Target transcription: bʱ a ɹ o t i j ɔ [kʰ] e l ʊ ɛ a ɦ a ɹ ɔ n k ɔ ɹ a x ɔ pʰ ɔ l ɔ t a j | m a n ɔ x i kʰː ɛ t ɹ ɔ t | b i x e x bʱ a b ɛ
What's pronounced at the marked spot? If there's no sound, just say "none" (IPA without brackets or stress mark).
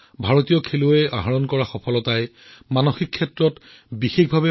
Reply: kʰ